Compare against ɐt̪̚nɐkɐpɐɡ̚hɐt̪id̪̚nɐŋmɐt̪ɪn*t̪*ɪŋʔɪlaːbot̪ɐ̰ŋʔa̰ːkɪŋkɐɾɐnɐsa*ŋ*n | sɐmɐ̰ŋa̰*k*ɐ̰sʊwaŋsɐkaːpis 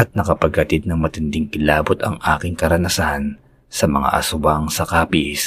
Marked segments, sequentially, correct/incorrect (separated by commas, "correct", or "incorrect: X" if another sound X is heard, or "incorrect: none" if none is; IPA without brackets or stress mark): incorrect: d̪, incorrect: none, incorrect: ʔ